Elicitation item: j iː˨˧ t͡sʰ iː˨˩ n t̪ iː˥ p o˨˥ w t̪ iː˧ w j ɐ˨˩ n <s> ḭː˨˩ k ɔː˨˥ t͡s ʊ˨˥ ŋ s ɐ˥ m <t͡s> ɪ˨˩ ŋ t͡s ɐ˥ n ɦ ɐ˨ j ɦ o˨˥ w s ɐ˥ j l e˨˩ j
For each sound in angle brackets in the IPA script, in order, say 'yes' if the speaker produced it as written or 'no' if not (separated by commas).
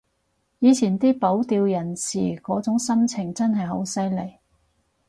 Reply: yes, no